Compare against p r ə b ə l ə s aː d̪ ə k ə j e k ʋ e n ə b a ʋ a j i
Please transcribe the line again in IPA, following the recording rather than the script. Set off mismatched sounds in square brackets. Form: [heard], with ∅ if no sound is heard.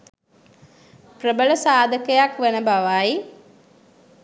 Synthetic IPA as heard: p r ə b ə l ə s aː d̪ ə k ə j [a] k ʋ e n ə b a ʋ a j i